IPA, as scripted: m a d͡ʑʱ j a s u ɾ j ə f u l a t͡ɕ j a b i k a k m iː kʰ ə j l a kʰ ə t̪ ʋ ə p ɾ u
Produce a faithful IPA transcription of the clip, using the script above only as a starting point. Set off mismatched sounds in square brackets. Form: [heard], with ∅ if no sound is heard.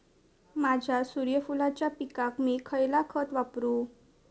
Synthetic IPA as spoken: m a d͡ʑʱ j a s u ɾ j ə f u l a t͡ɕ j a [p] i k a k m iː kʰ ə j l a kʰ ə t̪ ʋ [a] p ɾ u